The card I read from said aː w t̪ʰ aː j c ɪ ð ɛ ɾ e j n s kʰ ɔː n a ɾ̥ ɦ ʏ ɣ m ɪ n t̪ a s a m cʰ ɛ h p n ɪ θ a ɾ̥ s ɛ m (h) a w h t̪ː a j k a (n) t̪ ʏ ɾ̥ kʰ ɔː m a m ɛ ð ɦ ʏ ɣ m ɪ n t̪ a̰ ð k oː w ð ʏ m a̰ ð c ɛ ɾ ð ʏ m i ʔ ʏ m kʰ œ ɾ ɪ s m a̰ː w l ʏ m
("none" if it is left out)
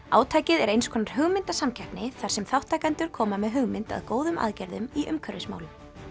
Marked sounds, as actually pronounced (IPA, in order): θ, n

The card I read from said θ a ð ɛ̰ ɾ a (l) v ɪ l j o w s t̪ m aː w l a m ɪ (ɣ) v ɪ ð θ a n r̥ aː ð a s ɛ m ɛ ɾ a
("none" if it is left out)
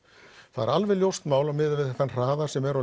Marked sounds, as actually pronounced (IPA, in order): l, ð

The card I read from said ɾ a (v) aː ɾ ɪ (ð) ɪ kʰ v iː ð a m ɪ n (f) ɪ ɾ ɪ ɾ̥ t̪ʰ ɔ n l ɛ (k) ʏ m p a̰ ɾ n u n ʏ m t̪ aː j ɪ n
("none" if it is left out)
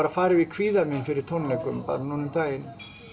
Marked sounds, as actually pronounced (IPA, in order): f, v, f, k

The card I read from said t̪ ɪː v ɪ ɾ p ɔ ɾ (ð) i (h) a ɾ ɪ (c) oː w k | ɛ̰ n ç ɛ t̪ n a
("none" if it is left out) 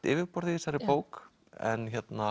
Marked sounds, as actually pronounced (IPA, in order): ð, s, p

